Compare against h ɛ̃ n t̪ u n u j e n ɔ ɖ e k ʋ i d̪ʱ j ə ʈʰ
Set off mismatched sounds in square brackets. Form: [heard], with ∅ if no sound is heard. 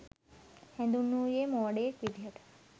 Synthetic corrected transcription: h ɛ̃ n [d̪] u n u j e [m] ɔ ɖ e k ʋ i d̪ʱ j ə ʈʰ